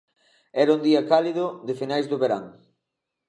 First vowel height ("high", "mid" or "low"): mid